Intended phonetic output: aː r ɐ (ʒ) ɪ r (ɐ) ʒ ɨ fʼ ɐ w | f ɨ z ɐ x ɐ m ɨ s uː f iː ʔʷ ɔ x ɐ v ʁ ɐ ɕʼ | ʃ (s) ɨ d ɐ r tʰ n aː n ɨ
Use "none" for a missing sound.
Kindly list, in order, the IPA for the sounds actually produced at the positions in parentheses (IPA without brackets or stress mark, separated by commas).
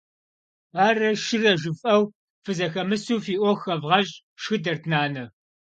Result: ʃ, ɐ, x